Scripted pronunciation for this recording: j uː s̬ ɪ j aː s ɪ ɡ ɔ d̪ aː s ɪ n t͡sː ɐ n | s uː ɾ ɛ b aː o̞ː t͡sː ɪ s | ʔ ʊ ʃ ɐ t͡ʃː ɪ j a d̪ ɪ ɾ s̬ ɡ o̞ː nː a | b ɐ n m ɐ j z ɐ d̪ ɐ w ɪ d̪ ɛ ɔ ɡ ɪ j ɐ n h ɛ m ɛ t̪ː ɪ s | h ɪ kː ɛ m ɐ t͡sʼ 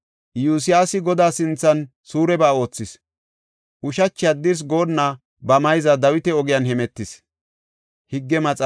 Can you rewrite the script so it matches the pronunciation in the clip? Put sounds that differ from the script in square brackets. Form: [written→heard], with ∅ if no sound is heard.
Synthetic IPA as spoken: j uː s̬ ɪ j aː s ɪ ɡ ɔ d̪ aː s ɪ n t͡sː ɐ n | s uː ɾ ɛ b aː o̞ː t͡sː ɪ s | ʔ ʊ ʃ ɐ t͡ʃː ɪ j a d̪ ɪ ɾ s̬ ɡ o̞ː nː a | b ɐ [n→∅] m ɐ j z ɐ d̪ ɐ w ɪ [d̪→t̪] ɛ ɔ ɡ ɪ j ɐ n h ɛ m ɛ t̪ː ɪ s | h ɪ [kː→ɡː] ɛ m ɐ t͡sʼ